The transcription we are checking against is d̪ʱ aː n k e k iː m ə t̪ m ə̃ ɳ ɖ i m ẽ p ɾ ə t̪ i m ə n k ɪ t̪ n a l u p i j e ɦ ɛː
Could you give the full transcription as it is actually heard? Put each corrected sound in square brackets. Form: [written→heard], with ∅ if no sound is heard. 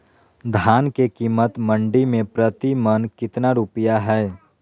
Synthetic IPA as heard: d̪ʱ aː n k e k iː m ə t̪ m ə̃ ɳ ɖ i m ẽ p ɾ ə t̪ i m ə n k ɪ t̪ n a [l→ɾ] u p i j [e→a] ɦ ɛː